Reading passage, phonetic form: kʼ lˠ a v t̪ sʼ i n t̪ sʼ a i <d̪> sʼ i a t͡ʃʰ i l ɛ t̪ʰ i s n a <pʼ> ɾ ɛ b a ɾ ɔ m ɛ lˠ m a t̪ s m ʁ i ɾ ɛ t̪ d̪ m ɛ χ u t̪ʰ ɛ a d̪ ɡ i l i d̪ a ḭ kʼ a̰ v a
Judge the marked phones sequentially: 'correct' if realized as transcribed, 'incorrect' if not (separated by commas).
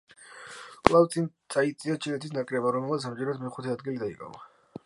incorrect, incorrect